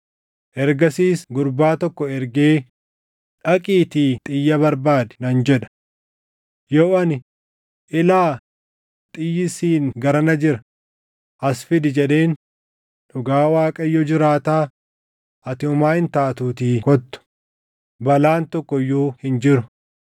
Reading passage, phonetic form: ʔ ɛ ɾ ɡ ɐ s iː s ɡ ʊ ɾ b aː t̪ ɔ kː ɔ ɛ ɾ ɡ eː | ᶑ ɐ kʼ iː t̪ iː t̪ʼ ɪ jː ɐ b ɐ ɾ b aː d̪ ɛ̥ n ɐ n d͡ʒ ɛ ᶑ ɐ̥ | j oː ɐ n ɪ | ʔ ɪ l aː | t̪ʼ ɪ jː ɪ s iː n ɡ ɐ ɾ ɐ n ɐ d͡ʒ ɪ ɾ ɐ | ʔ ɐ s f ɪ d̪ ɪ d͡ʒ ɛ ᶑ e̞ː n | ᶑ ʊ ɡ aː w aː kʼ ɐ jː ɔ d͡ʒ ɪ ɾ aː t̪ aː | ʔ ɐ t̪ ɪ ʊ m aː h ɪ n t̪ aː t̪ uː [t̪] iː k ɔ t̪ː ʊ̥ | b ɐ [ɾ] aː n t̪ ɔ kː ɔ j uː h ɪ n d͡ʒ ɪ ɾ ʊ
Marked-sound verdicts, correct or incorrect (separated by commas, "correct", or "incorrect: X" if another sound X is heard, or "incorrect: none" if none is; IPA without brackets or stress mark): correct, incorrect: l